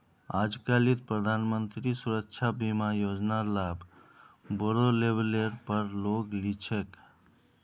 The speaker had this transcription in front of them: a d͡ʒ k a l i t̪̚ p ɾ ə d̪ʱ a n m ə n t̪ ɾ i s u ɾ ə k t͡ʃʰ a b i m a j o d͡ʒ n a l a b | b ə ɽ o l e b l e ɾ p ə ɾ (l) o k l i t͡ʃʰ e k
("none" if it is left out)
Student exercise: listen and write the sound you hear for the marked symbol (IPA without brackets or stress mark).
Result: l